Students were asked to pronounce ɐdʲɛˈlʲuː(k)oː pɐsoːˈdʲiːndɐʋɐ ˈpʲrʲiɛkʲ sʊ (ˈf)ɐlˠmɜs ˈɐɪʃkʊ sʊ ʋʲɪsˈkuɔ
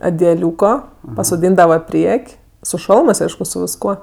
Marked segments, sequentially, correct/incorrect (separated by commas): correct, incorrect